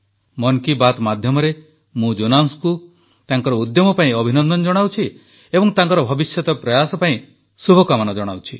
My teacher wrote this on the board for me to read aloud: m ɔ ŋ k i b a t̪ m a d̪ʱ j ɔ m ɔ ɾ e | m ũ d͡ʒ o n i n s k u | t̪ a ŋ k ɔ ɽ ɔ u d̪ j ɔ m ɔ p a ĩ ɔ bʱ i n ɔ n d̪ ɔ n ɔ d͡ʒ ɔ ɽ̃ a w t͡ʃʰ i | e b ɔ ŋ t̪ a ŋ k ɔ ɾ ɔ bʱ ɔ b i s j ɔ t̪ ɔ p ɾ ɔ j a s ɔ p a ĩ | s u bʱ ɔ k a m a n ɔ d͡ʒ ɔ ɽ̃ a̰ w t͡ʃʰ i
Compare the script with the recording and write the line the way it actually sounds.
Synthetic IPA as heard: m ɔ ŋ k i b a t̪ m a d̪ʱ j ɔ m ɔ ɾ e | m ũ d͡ʒ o n a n s k u | t̪ a ŋ k ɔ ɾ ɔ u d̪ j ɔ m ɔ p a ĩ ɔ bʱ i n ɔ n d̪ ɔ n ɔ d͡ʒ ɔ ɽ̃ a w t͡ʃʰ i | e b ɔ ŋ t̪ a ŋ k ɔ ɾ ɔ bʱ ɔ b i s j ɔ t̪ ɔ p ɾ ɔ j a s ɔ p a ĩ | s u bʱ ɔ k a m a n ɔ d͡ʒ ɔ ɽ̃ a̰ w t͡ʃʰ i